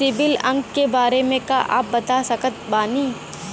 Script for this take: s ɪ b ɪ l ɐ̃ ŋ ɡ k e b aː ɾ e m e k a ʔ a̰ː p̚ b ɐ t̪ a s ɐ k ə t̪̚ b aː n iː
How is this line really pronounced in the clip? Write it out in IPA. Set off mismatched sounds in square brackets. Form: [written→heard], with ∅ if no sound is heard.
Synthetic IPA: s ɪ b ɪ l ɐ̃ ŋ ɡ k e b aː ɾ e m [e→ẽ] k a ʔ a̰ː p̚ b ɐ t̪ a s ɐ k ə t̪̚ b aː n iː